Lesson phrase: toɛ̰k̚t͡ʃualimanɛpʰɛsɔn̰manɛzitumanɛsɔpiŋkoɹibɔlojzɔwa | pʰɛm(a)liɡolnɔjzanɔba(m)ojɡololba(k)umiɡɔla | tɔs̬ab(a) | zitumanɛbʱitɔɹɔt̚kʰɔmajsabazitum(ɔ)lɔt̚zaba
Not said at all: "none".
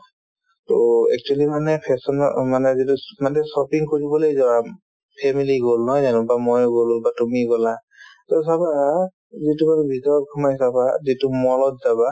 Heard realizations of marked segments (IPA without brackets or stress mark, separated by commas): i, m, t, a, ɔ